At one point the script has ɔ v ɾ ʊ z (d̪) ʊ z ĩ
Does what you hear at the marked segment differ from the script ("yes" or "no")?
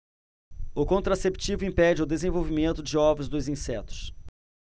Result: no